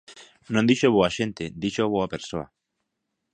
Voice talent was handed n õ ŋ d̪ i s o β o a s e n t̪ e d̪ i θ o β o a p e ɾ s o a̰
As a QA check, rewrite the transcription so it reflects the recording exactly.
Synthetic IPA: n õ n d̪ i ʃ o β o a ʃ e n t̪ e d̪ i ʃ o β o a p e ɾ s o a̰